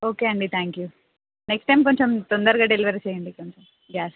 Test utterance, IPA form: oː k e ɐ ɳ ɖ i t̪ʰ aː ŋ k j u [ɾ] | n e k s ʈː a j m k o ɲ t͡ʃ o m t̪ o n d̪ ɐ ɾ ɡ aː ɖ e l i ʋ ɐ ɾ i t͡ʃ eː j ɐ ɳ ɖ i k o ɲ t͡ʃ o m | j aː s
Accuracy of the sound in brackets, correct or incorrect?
incorrect